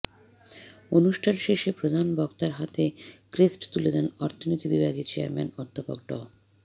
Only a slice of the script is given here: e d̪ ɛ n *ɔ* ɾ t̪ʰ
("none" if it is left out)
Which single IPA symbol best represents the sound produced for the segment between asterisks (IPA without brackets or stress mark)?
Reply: ɔ